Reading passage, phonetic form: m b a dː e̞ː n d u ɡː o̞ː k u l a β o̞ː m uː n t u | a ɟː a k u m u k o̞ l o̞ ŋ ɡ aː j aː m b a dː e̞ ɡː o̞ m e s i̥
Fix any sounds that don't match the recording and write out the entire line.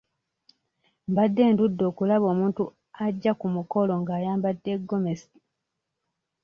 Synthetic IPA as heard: m b a dː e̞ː n d u dː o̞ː k u l a β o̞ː m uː n t u | a ɟː a k u m u k o̞ l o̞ ŋ ɡ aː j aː m b a dː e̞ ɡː o̞ m e s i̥